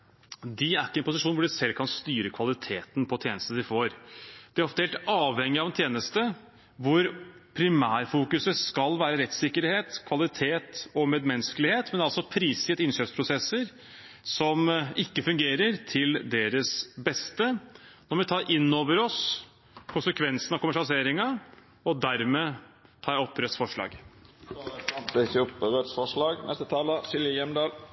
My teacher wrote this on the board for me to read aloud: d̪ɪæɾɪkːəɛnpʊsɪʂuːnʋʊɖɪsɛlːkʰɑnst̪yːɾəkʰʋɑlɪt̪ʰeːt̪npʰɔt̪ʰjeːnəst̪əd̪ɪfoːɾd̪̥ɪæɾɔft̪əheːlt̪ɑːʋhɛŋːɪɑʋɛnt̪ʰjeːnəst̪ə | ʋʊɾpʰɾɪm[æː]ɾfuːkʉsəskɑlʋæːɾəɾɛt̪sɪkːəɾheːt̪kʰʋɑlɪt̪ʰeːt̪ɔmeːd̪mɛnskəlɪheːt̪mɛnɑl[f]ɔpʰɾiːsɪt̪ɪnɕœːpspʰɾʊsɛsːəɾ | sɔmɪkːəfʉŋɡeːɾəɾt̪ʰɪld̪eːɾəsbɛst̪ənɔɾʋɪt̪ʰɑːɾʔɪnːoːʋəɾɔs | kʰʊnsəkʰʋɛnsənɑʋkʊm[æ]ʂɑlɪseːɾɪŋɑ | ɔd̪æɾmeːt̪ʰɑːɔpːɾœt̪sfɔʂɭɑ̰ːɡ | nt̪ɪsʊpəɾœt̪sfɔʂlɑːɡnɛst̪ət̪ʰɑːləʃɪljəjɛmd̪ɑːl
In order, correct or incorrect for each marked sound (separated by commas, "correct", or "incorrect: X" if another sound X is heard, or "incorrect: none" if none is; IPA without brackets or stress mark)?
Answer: correct, incorrect: s, correct